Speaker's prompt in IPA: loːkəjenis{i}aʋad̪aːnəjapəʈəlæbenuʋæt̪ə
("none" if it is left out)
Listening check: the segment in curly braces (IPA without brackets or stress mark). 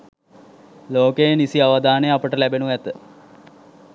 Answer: i